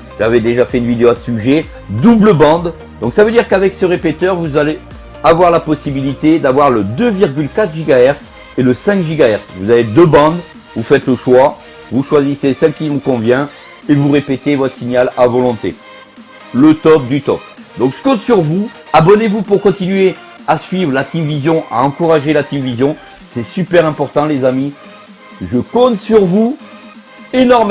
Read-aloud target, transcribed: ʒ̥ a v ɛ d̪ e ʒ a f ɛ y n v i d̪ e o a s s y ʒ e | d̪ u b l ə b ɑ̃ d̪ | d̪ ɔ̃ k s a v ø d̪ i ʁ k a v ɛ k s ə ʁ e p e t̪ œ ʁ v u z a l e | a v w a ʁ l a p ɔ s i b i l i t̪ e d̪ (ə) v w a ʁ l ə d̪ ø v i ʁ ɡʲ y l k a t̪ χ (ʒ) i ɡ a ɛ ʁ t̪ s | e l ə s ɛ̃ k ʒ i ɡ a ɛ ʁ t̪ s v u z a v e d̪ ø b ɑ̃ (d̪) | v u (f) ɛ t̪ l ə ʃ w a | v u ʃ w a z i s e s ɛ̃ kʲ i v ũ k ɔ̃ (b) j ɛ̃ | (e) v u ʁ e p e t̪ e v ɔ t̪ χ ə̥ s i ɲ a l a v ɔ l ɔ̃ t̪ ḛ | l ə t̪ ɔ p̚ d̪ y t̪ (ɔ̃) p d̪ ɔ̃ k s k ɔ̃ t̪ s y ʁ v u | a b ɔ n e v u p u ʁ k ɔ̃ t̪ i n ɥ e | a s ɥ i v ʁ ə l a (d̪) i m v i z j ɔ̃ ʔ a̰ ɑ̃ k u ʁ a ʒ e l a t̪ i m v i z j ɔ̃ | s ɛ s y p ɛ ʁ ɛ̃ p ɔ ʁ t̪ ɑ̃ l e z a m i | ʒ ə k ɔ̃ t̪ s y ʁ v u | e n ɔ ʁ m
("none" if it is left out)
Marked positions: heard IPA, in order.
a, ʒ, d̪, f, v, e, ɔ, t̪

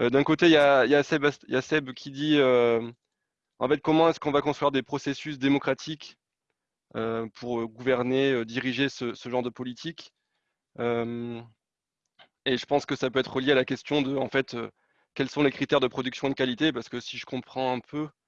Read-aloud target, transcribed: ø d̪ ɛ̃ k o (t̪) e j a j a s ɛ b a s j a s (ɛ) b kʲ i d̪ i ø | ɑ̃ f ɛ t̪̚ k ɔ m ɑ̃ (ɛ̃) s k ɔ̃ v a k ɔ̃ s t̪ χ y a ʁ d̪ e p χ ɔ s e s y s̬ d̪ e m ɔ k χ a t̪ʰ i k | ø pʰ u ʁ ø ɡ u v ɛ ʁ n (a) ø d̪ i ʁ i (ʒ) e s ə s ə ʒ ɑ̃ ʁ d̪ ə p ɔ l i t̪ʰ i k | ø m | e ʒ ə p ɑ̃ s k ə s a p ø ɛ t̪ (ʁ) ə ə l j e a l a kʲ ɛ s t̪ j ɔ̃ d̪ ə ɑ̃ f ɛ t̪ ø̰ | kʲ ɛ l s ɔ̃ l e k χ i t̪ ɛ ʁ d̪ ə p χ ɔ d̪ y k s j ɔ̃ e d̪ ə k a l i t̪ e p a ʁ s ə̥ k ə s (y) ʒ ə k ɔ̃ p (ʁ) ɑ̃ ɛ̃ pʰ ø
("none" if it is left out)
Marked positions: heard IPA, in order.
t̪, ɛ, ɛ, e, ʒ, χ, i, χ

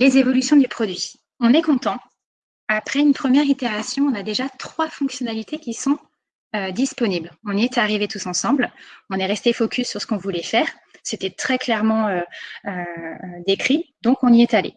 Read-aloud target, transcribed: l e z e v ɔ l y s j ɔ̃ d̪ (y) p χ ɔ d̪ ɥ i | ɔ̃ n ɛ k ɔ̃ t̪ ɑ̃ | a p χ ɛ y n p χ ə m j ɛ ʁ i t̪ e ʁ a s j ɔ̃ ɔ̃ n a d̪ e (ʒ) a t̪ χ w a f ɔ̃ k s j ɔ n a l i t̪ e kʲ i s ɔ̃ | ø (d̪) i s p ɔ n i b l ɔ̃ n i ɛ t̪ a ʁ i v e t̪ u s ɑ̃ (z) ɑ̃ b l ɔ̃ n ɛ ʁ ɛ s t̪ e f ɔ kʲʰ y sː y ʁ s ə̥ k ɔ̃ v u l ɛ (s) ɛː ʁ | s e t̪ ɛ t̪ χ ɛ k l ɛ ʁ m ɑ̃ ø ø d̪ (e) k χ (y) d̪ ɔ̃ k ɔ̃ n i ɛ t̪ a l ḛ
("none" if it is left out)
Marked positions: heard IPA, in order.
y, ʒ, d̪, s, f, e, i

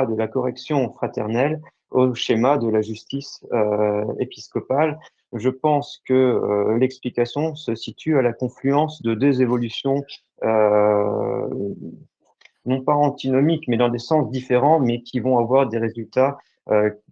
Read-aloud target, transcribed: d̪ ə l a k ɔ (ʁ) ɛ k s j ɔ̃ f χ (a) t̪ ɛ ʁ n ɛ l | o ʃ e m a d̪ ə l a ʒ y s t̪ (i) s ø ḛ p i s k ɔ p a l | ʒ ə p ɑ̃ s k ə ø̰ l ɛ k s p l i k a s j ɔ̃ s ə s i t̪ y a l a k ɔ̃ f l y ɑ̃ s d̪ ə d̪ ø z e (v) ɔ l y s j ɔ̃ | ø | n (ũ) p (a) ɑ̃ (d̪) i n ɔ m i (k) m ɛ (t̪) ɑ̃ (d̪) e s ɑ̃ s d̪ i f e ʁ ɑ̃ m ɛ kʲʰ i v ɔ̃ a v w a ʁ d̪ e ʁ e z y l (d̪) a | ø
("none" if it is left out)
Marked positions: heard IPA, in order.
ʁ, a, i, v, ɔ̃, a, t̪, k, d̪, d̪, t̪

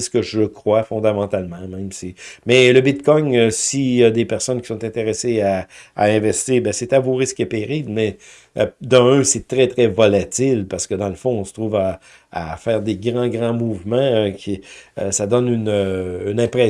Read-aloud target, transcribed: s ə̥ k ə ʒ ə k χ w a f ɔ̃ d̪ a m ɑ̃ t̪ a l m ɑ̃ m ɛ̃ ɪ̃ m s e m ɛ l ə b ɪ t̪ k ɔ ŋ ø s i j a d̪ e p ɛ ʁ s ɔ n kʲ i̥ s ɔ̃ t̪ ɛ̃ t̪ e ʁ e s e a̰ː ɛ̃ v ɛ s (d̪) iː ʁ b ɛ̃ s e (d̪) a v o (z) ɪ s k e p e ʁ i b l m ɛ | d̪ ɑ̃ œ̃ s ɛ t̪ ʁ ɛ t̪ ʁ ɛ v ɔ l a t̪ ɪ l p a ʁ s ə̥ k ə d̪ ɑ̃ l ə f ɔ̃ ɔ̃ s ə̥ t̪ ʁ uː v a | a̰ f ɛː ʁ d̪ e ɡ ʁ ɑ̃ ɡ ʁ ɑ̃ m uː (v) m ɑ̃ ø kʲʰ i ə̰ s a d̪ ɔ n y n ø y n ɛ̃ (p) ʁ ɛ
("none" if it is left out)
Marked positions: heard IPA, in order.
t̪, t̪, ʁ, v, p

